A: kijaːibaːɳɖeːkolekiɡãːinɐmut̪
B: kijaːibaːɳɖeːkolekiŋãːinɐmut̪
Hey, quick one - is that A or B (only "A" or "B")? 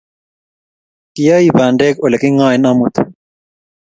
B